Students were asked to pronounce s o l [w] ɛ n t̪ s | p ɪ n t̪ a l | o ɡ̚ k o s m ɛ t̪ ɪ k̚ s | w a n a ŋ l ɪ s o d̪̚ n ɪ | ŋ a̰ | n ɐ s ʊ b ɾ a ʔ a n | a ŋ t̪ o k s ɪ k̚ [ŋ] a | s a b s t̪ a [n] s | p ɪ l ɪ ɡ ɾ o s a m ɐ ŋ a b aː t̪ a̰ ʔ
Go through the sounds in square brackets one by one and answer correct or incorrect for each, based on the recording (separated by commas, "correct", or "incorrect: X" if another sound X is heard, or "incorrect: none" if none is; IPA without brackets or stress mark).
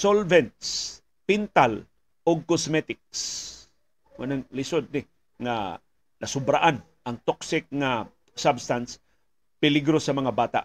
incorrect: v, correct, correct